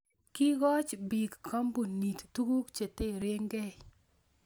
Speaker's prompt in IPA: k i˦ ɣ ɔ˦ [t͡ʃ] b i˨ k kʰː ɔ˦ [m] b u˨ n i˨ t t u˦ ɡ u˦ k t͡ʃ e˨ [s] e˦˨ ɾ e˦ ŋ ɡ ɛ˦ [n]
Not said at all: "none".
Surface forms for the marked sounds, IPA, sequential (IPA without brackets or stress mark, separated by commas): t͡ʃ, m, t, none